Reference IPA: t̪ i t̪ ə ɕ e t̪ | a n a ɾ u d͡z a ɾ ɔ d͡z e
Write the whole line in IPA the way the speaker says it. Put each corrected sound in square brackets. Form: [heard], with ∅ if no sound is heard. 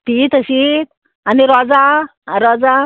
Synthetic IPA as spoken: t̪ i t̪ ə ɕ [i] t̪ | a n [i] ɾ [ɔ] d͡z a ɾ ɔ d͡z [a]